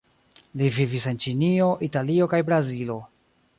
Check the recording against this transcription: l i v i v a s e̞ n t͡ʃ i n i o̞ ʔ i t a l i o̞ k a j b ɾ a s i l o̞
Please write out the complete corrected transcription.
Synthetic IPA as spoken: l i v i v i s e̞ n t͡ʃ i n i o̞ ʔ i t a l i o̞ k a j b ɾ a z i l o̞